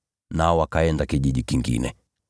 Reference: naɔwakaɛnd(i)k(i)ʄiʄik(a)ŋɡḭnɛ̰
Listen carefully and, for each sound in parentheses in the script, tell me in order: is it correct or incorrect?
incorrect, correct, incorrect

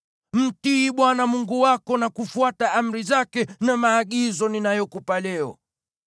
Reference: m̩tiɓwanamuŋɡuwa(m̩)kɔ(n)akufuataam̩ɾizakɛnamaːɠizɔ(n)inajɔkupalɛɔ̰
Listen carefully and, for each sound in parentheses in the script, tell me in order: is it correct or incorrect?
incorrect, correct, correct

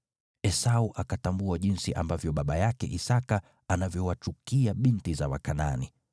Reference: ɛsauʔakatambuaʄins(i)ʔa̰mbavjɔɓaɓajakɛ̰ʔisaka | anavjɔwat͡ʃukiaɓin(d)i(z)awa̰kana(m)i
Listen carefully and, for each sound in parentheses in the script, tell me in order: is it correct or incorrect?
correct, incorrect, correct, incorrect

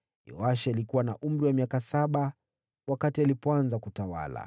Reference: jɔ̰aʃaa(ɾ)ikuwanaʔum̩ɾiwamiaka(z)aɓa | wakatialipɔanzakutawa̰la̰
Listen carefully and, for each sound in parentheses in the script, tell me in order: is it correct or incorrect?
incorrect, incorrect

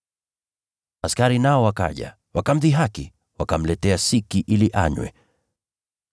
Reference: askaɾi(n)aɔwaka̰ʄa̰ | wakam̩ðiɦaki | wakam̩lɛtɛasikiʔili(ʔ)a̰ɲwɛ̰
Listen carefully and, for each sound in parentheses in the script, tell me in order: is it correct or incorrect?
correct, correct

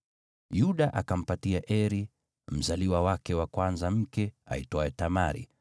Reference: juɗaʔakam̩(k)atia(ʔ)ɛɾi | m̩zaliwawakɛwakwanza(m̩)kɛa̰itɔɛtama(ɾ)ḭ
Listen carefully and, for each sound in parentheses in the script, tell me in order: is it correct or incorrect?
incorrect, correct, correct, correct

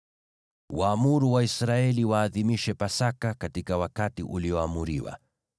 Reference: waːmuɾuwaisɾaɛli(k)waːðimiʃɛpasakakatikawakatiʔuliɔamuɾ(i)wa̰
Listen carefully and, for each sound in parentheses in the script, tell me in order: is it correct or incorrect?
incorrect, correct

